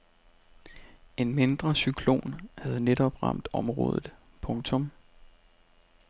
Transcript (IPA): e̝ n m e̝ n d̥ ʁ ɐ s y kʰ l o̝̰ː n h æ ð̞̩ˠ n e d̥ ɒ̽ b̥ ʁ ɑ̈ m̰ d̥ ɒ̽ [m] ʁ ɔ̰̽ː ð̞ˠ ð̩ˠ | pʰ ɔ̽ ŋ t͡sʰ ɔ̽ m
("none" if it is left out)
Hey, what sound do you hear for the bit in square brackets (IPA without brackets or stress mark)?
m